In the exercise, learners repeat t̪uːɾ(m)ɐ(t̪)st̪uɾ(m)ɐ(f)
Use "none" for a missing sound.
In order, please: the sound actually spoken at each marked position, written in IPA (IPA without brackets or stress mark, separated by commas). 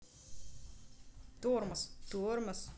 m, none, m, s